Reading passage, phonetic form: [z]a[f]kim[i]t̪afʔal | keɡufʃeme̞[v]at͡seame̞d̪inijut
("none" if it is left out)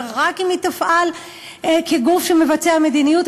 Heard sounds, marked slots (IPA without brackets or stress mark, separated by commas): ʁ, none, i, v